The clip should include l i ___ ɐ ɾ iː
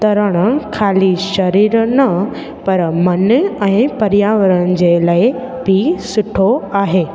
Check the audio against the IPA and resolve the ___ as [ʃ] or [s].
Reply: ʃ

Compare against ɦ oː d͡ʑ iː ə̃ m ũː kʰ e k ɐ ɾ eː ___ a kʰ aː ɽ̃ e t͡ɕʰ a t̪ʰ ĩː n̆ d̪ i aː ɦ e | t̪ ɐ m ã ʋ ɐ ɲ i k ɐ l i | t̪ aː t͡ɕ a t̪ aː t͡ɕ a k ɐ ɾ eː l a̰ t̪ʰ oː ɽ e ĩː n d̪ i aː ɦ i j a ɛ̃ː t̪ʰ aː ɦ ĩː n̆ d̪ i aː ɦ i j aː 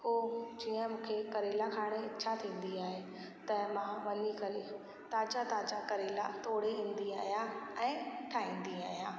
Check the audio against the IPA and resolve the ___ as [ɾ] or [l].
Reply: l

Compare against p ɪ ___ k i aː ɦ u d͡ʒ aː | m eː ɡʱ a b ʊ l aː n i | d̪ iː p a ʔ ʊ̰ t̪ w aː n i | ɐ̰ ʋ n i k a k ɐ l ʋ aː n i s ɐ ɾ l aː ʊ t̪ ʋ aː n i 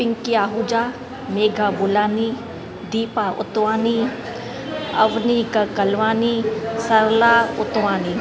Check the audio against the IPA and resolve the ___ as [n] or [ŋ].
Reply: ŋ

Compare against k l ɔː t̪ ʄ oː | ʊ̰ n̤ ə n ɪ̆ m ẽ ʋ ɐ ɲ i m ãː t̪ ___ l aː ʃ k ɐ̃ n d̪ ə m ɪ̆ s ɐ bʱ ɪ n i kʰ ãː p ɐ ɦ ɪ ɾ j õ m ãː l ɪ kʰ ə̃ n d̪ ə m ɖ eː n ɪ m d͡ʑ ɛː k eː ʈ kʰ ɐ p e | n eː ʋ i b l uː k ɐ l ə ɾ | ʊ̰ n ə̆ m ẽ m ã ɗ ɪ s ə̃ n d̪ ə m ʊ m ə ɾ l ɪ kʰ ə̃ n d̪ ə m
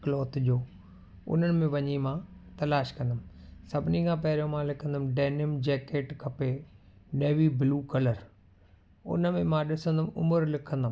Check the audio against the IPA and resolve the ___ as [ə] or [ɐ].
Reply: ɐ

